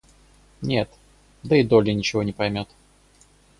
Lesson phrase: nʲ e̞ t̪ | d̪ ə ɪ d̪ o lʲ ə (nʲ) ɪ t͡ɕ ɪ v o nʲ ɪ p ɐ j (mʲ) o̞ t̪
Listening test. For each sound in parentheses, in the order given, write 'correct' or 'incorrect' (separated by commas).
correct, correct